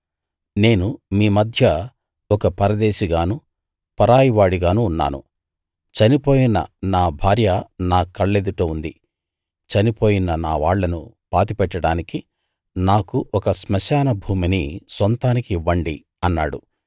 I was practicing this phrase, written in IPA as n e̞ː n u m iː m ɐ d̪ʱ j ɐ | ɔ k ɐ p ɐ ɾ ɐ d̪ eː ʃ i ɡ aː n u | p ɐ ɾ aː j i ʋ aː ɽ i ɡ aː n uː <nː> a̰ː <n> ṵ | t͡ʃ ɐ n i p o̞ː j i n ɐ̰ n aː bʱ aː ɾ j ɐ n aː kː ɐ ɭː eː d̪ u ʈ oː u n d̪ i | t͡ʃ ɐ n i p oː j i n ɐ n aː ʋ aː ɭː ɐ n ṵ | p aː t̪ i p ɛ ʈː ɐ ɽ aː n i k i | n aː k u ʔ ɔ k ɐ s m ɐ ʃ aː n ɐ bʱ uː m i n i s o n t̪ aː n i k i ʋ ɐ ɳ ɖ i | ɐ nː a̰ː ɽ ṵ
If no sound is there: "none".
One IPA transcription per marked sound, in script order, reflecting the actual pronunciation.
nː, n

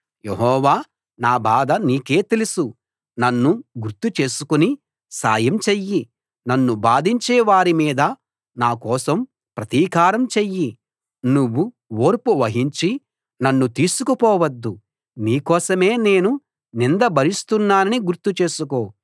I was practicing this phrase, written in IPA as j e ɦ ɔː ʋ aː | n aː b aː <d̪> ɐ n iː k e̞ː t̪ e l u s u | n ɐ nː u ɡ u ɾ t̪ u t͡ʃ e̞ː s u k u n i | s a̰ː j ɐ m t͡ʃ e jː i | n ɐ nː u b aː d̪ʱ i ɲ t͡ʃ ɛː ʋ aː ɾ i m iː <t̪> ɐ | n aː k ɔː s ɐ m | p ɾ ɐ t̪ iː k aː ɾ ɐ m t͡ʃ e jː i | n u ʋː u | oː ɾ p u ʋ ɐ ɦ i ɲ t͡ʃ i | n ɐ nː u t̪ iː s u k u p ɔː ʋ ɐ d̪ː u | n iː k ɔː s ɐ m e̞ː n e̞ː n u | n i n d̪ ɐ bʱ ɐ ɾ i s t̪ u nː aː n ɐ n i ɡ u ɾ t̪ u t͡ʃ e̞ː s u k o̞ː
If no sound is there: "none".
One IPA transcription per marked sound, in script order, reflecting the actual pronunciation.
d̪, d̪

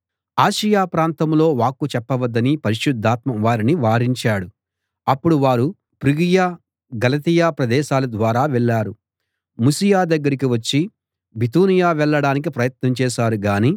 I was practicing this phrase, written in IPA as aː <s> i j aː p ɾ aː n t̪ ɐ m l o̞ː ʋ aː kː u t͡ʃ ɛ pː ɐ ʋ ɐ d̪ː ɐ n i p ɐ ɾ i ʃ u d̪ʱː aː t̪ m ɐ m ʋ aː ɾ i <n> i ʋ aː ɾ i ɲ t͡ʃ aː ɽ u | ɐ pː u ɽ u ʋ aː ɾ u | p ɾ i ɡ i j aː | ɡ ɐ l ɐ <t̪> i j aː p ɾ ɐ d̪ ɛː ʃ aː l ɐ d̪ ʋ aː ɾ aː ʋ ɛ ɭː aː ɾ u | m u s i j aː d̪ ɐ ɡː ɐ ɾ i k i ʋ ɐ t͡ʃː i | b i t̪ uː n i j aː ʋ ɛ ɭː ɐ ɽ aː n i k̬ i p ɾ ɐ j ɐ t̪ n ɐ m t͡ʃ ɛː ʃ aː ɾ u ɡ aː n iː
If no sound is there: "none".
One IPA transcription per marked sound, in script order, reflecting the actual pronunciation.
ʃ, n, t̪

